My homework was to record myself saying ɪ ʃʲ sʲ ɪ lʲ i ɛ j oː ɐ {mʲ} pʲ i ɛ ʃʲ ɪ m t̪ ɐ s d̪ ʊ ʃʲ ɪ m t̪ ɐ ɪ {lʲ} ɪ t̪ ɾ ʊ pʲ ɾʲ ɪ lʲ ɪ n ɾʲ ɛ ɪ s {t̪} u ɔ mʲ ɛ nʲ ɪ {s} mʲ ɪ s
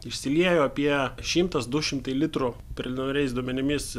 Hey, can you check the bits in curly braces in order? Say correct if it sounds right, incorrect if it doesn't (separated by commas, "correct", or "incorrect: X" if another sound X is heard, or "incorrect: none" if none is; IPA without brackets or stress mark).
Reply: incorrect: none, correct, incorrect: d̪, incorrect: none